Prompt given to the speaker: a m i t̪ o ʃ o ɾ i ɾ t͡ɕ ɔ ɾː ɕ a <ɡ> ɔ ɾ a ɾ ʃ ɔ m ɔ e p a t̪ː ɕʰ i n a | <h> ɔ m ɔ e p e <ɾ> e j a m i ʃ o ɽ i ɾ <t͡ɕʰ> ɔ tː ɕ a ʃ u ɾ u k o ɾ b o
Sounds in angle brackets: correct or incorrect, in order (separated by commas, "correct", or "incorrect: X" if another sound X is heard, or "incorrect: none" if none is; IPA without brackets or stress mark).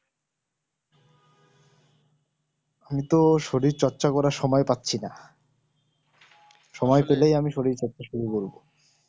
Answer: incorrect: k, incorrect: ʃ, incorrect: l, incorrect: t͡ɕ